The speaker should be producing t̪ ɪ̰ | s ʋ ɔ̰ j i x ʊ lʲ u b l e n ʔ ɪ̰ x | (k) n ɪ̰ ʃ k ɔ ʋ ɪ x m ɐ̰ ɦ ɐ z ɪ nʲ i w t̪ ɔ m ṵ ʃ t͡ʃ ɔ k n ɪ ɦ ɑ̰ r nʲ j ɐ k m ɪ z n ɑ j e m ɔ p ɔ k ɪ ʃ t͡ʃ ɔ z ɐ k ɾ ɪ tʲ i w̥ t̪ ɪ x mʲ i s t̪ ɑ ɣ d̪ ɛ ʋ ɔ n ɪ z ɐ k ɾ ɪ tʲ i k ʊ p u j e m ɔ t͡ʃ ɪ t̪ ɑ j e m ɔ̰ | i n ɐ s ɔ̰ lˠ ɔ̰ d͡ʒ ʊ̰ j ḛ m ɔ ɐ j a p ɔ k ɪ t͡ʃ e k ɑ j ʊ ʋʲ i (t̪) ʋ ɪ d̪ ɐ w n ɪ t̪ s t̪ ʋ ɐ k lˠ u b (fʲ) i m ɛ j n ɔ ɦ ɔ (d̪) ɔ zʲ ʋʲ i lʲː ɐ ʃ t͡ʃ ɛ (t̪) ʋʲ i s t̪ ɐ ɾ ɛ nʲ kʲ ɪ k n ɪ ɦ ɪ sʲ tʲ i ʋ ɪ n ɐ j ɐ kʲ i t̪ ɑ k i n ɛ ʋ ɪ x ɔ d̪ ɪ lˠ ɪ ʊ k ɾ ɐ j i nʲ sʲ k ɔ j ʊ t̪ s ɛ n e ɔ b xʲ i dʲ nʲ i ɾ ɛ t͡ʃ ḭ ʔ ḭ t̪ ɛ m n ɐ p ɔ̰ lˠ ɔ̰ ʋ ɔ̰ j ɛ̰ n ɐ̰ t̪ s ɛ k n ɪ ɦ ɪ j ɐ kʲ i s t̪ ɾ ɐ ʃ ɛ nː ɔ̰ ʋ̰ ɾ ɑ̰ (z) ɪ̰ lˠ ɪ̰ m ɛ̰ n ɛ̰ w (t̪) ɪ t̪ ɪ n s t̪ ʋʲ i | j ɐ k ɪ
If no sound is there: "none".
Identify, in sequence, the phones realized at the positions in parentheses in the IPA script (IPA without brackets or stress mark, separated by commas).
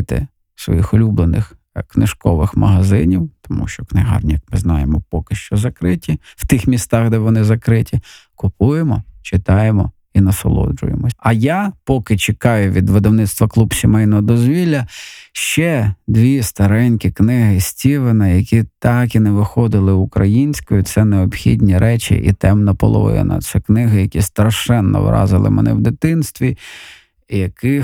k, d̪, sʲ, d̪, d̪, z, d̪